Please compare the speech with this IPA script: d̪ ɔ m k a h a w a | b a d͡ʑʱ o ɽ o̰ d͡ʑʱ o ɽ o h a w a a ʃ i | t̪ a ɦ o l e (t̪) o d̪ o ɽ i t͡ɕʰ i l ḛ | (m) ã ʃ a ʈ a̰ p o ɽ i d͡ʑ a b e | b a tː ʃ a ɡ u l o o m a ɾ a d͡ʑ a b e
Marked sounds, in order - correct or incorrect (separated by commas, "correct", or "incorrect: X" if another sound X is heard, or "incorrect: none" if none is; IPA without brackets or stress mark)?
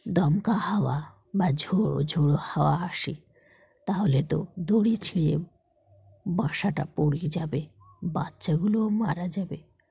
correct, incorrect: b